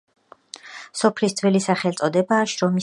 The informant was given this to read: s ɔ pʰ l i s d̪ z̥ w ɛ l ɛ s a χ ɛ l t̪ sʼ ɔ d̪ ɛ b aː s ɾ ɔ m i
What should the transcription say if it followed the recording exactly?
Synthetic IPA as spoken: s ɔ pʰ l i s d̪ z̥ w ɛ l i s a χ ɛ l t̪ sʼ ɔ d̪ ɛ b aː ʃ ɾ ɔ m i